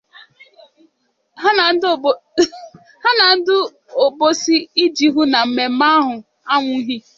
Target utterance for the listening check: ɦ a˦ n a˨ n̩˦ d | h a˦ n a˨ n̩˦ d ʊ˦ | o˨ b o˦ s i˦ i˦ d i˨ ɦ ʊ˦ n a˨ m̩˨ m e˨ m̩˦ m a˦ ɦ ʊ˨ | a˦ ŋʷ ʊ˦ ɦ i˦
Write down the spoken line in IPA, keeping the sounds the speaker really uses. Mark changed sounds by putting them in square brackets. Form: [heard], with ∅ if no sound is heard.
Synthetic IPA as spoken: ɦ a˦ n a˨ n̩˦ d | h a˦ n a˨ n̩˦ d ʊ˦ | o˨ b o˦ s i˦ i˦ [d͡ʒ] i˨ ɦ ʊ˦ n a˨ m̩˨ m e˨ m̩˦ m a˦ ɦ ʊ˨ | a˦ ŋʷ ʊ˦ ɦ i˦